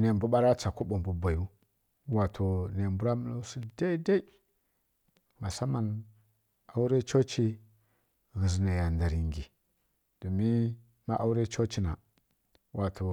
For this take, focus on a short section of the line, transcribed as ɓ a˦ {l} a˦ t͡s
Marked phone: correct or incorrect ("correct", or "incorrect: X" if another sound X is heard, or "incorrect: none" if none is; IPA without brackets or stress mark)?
incorrect: ɾ